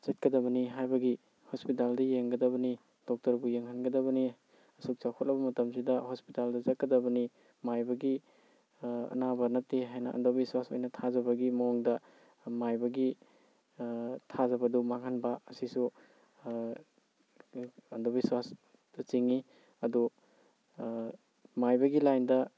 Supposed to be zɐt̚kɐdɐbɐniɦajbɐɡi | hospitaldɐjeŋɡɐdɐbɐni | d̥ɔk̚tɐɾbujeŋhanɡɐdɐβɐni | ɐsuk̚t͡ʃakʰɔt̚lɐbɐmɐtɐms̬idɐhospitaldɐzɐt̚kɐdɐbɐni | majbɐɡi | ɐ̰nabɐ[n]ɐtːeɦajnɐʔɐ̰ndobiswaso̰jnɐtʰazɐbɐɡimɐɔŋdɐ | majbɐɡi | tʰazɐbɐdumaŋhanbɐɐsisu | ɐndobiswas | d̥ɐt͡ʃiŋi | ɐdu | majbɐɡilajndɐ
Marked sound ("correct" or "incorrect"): correct